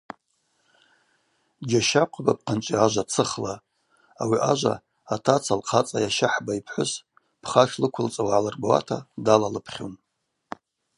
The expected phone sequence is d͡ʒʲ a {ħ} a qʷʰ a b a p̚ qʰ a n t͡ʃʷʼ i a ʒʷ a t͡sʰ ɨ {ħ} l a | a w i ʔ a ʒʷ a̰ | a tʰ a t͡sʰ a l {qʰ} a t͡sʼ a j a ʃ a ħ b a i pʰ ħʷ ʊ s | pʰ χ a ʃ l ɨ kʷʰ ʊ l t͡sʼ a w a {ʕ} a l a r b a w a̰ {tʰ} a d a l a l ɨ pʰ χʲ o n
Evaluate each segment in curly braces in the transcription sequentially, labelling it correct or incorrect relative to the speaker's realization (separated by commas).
incorrect, incorrect, correct, correct, correct